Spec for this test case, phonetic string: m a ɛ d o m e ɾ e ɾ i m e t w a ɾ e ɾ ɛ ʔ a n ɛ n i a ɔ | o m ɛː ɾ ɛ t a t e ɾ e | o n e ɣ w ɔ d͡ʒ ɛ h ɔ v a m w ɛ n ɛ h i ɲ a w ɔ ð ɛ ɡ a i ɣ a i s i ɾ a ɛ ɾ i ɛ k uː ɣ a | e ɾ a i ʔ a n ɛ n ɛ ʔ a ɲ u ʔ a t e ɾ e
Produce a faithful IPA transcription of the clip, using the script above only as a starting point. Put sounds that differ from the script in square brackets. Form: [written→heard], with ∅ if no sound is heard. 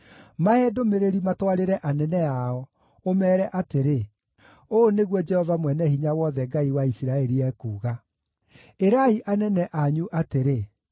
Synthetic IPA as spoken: m a ɛ d o m e ɾ e ɾ i m [e→a] t w a ɾ e ɾ ɛ ʔ a n ɛ n [i→ɛ] a ɔ | o m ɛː ɾ ɛ [t→ʔ] a t e ɾ e | o n e ɣ w ɔ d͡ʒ ɛ h ɔ v a m w ɛ n ɛ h i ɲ a w ɔ ð ɛ ɡ a i [ɣ→w] a i s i ɾ a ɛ ɾ i ɛ k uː ɣ a | e ɾ a i ʔ a n ɛ n ɛ ʔ a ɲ u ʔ a t e ɾ e